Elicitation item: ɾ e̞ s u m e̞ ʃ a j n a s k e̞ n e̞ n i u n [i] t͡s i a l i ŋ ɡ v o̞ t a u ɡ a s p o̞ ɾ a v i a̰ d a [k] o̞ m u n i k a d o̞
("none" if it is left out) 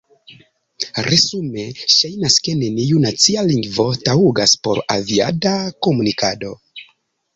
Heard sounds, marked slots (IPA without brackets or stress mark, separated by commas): a, k